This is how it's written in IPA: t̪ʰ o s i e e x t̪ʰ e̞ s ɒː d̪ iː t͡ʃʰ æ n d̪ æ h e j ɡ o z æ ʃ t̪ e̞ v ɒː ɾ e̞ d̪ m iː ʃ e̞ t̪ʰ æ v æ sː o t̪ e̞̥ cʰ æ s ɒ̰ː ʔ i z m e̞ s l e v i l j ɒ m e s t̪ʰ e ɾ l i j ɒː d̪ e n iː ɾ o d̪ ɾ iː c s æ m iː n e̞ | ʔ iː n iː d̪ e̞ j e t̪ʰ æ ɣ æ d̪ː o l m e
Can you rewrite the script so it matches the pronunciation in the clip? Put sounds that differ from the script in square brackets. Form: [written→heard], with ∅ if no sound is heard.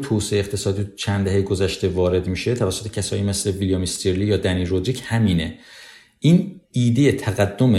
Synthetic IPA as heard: t̪ʰ o s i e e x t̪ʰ e̞ s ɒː d̪ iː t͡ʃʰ æ n d̪ æ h e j ɡ o z æ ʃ t̪ e̞ v ɒː ɾ e̞ d̪ m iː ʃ e̞ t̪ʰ æ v æ sː o t̪ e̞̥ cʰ æ s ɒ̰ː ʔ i [z→∅] m e̞ s l e v i l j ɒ m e s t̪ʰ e ɾ l i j ɒː d̪ [e→æ] n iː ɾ o d̪ ɾ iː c [s→h] æ m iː n e̞ | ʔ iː n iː d̪ e̞ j e t̪ʰ æ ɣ æ d̪ː o [l→∅] m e